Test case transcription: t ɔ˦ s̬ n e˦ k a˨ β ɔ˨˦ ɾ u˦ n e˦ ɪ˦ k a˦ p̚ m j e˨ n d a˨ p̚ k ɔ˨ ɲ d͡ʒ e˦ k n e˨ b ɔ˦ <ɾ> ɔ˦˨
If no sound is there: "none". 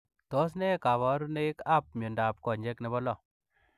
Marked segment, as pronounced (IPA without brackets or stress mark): l